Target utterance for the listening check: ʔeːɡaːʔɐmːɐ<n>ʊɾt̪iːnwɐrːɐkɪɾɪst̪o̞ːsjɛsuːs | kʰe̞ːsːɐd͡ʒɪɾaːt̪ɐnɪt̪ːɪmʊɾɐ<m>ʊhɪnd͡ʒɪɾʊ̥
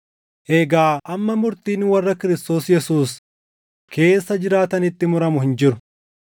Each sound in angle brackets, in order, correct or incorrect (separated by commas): incorrect, correct